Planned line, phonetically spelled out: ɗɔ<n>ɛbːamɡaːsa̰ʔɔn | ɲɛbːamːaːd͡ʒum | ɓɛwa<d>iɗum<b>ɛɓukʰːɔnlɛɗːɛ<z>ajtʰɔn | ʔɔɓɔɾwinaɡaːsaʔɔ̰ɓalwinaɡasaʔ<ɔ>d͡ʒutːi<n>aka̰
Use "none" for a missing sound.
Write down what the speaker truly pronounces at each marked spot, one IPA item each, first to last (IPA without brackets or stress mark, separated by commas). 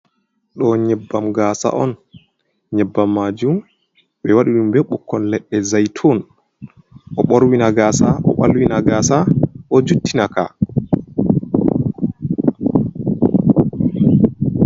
ɲ, ɗ, b, z, ɔ, n